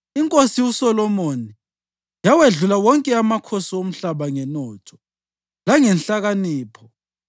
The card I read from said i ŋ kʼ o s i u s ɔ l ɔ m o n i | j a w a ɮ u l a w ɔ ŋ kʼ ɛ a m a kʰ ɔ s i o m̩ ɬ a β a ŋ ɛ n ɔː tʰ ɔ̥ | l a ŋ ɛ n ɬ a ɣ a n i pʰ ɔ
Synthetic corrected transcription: i ŋ kʼ o s i u s ɔ l ɔ m o n i | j a w e ɮ u l a w ɔ ŋ kʼ ɛ a m a kʰ o s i o m̩ ɬ a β a ŋ ɛ n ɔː tʰ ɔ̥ | l a ŋ ɛ n ɬ a ɣ a n iː pʰ ɔ